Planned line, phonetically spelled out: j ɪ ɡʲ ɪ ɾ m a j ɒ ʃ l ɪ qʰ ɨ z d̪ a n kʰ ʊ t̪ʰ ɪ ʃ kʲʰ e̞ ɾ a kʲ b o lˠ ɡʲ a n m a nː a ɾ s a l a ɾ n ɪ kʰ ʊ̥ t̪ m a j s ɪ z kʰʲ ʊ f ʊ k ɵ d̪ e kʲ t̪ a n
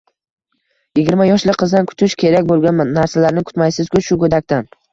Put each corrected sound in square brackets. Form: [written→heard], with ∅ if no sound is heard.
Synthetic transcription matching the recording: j ɪ ɡʲ ɪ ɾ m a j ɒ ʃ l ɪ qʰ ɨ z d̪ a n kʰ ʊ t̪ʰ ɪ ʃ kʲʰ e̞ ɾ a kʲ b o lˠ ɡʲ a n m a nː a ɾ s a l a ɾ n ɪ kʰ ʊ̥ t̪ m a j s ɪ z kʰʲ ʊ [f→ʃ] ʊ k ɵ d̪ [e→a] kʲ t̪ a n